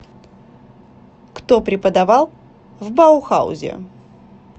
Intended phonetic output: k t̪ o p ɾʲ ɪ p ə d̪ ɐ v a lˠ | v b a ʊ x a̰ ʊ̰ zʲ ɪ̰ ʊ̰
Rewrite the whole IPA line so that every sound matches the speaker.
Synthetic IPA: k t̪ o p ɾʲ ɪ p ə d̪ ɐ v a lˠ | v b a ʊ x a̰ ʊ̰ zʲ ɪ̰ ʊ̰

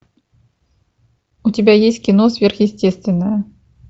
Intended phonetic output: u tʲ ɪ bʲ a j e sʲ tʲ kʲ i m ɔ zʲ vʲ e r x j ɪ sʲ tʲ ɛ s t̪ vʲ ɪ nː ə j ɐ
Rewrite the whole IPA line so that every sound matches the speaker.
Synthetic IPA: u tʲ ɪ bʲ a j e sʲ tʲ kʲ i n ɔ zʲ vʲ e r x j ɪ sʲ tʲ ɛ s t̪ vʲ ɪ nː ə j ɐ

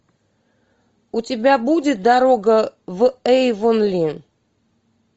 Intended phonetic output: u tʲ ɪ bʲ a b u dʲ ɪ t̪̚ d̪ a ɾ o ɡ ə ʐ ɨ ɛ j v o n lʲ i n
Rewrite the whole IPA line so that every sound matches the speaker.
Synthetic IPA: u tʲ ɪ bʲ a b u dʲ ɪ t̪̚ d̪ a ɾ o ɡ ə v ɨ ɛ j v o n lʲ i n

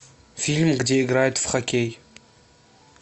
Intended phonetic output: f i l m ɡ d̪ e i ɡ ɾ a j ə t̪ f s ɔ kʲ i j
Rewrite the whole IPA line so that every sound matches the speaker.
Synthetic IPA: f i l m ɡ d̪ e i ɡ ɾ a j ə t̪ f χ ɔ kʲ e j

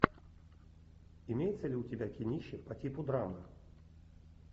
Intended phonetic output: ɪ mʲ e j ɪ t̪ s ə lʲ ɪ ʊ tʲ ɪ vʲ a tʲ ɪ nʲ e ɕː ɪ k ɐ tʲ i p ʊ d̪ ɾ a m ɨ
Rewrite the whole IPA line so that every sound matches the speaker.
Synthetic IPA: ɪ mʲ e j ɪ t̪ s ə lʲ ɪ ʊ tʲ ɪ bʲ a kʲ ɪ nʲ i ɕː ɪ p ɐ tʲ i p ʊ d̪ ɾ a m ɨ

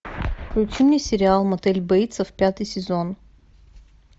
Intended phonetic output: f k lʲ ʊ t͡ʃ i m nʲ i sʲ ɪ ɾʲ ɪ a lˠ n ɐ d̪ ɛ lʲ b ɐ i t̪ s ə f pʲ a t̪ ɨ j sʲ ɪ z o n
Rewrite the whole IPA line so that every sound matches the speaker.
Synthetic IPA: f k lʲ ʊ t͡ʃ i m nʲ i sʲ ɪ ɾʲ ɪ a lˠ m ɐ t̪ ɛ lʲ b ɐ i t̪ s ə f pʲ a t̪ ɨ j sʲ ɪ z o n

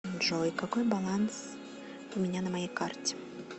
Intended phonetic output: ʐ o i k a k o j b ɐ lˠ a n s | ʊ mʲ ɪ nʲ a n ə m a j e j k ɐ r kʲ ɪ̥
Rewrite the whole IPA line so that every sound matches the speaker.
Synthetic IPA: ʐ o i k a k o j b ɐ lˠ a n s | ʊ mʲ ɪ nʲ a n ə m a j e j k a r tʲ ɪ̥

